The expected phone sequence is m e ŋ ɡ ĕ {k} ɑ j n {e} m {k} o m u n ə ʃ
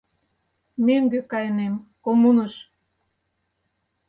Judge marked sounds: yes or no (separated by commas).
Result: yes, yes, yes